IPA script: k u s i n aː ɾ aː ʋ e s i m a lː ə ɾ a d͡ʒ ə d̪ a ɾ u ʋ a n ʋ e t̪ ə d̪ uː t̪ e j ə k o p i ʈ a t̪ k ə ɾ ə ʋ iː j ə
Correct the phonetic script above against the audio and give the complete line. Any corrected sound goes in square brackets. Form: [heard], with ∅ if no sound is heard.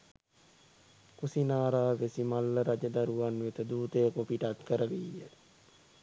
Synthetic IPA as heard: k u s i n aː ɾ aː ʋ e s i m a lː ə ɾ a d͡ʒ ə d̪ a ɾ u ʋ a n ʋ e t̪ ə d̪ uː t̪ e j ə k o p i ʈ a t̪ k ə ɾ ə ʋ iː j ə

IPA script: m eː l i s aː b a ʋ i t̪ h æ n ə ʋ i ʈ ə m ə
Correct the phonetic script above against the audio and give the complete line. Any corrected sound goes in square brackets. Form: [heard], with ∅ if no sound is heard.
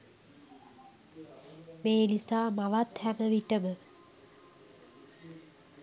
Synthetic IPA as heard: m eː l i s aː [m] a ʋ [a] t̪ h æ [m] ə ʋ i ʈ ə m ə

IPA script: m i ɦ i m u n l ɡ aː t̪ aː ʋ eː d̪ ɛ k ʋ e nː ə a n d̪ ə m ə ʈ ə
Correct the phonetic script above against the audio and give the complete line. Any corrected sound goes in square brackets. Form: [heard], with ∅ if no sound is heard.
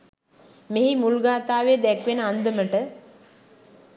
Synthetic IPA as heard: m [e] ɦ i m u [∅] l ɡ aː t̪ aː ʋ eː d̪ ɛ k ʋ e [n] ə a n d̪ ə m ə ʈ ə

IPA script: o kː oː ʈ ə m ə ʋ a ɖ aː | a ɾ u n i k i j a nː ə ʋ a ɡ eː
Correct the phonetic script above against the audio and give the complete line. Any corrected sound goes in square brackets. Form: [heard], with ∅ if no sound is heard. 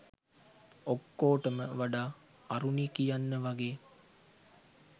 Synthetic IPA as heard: o kː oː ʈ ə m ə ʋ a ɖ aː | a ɾ u n i k i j a nː ə ʋ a ɡ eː

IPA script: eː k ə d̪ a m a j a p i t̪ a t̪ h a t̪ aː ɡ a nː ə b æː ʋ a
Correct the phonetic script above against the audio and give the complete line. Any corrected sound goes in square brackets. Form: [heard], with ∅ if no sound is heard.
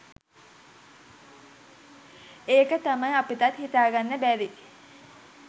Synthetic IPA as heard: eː k ə [t̪] a m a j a p i t̪ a t̪ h [i] t̪ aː ɡ a nː ə b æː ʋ [i]

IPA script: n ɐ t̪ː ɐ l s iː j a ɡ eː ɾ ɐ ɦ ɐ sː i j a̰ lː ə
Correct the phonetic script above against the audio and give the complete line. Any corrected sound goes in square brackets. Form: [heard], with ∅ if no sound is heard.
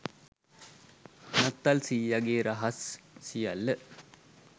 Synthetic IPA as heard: n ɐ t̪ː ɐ l s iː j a ɡ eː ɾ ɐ ɦ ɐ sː i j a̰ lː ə

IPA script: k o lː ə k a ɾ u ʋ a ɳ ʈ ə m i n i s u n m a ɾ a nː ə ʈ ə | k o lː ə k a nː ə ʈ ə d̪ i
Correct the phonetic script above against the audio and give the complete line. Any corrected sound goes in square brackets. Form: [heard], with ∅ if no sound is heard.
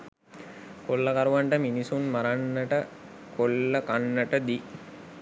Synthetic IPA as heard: k o lː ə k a ɾ u ʋ a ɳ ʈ ə m i n i s u n m a ɾ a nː ə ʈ ə | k o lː ə k a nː ə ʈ ə d̪ i

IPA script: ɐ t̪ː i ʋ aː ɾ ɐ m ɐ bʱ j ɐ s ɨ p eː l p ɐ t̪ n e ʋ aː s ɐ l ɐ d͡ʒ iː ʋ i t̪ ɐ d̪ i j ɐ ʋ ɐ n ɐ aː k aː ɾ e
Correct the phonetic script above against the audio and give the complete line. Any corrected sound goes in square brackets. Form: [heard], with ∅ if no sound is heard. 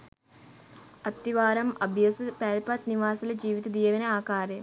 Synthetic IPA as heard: ɐ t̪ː i ʋ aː ɾ ɐ m ɐ bʱ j ɐ s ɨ p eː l p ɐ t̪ n [i] ʋ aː s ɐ l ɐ d͡ʒ iː ʋ i t̪ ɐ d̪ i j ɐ ʋ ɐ n ɐ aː k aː ɾ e

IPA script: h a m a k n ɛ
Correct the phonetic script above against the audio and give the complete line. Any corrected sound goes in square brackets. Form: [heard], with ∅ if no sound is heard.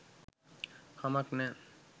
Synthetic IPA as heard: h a m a k n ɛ

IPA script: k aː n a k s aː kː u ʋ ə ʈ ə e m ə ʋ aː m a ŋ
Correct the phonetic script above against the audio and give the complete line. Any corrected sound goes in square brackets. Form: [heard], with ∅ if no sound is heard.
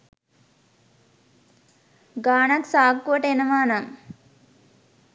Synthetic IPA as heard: [ɡ] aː n a k s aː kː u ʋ ə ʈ ə e [n] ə ʋ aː [n] a ŋ

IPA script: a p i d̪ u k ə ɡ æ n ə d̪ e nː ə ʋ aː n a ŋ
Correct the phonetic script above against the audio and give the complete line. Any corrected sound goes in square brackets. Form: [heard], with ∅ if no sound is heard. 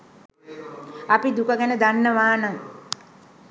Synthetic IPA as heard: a p i d̪ u k ə ɡ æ n ə d̪ [a] nː ə ʋ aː n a ŋ

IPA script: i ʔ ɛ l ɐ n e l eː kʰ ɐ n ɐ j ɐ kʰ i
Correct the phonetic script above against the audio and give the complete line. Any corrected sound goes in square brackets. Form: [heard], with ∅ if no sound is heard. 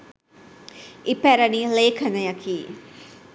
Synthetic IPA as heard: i [p] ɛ [ɾ] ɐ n [i] l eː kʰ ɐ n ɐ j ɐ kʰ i

